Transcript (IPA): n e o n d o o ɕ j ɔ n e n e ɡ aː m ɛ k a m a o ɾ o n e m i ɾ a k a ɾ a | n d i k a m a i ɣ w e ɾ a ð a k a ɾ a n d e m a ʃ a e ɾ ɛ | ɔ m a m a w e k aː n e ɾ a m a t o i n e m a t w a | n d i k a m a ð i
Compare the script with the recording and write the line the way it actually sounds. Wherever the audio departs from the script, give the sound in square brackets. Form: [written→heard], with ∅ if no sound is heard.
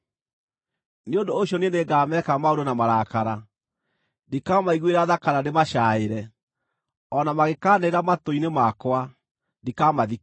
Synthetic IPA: n e o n d o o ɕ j ɔ n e n e ɡ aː m ɛ k a m a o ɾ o n [e→a] m [i→a] ɾ a k a ɾ a | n d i k a m a i ɣ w e ɾ a ð a k a ɾ a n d e m a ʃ a e ɾ ɛ | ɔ [m→n] a m a [w→ɣ] e k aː n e ɾ a m a t o i n e m a [t→k] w a | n d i k a m a ð i